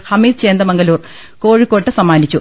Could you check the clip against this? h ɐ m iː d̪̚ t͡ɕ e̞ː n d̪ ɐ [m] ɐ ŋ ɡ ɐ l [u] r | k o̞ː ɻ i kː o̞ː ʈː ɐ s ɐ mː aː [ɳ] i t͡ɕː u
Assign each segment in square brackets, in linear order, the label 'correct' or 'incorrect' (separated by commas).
correct, incorrect, incorrect